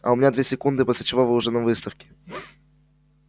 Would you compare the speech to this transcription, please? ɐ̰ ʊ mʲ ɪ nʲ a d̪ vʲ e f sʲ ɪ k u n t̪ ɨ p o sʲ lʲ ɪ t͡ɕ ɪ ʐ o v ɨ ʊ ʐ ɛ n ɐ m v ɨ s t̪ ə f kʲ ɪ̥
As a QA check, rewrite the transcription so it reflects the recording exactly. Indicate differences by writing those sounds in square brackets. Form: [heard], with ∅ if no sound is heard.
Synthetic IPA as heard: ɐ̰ ʊ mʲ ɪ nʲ a d̪ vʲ e [∅] sʲ ɪ k u n [d̪] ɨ p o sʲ lʲ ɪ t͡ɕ ɪ [v] o v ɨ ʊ ʐ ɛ n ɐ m v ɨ s t̪ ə f kʲ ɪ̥